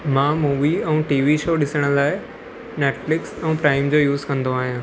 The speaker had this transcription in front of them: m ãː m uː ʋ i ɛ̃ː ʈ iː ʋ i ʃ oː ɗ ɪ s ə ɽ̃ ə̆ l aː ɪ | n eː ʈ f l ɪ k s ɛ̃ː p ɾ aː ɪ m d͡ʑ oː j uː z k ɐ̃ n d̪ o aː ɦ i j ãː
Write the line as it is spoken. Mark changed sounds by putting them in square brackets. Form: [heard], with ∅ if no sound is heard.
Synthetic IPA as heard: m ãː m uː ʋ i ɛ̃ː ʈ iː ʋ i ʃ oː ɗ ɪ s ə ɽ̃ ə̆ l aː ɪ | n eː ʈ f l ɪ k s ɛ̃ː p ɾ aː ɪ m d͡ʑ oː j uː z k ɐ̃ n d̪ o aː ɦ i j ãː